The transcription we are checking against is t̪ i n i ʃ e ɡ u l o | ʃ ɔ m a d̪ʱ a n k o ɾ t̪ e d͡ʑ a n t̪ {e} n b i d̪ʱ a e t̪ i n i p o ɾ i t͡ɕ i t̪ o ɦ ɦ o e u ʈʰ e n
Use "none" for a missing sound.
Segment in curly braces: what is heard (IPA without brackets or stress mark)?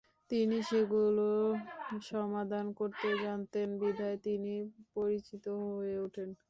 e